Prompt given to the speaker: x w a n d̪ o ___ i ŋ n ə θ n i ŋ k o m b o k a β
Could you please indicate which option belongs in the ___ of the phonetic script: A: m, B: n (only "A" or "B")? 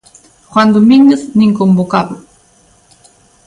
A